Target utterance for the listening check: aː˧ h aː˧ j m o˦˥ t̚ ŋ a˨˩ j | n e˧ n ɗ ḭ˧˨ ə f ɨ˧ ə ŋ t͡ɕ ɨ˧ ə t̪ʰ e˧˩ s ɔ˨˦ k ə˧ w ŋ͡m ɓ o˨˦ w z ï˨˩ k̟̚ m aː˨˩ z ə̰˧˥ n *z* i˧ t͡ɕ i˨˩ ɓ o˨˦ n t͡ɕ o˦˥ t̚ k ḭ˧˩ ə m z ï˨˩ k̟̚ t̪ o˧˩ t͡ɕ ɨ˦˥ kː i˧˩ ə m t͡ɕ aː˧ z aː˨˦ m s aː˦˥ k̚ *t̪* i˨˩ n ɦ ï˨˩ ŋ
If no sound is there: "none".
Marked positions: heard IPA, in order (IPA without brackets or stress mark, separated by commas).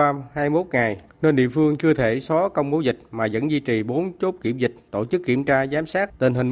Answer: z, t̪